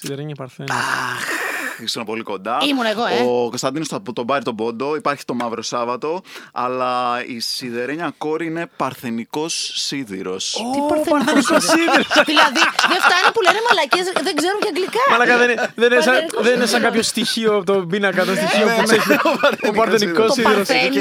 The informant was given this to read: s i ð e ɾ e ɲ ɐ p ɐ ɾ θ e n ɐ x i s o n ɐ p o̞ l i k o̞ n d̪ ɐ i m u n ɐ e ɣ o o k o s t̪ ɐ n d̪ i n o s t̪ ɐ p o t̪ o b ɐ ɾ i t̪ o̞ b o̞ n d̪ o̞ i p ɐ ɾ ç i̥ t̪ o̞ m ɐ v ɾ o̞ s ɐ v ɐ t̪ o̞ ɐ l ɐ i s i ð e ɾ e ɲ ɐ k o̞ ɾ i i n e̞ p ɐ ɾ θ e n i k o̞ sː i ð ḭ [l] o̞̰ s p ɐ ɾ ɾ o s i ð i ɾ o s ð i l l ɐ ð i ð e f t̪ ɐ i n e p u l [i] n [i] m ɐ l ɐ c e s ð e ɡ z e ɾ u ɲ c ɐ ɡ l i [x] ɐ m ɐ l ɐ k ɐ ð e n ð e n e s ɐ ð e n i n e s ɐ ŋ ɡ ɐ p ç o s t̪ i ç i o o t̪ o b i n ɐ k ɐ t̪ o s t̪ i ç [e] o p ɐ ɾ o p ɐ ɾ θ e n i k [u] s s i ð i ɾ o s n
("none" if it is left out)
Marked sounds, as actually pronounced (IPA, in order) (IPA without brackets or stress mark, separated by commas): ɾ, e, e, k, i, o